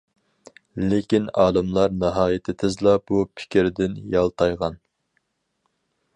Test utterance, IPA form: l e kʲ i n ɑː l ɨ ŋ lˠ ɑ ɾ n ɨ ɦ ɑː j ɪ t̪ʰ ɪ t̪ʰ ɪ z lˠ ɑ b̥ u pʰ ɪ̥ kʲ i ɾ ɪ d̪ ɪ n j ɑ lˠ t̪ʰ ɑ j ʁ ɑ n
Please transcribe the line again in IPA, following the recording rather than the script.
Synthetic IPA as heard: l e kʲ i n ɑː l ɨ m lˠ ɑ ɾ n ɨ ɦ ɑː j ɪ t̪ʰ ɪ t̪ʰ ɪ z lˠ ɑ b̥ u pʰ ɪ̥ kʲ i ɾ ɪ d̪ ɪ n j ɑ lˠ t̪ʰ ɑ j ʁ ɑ n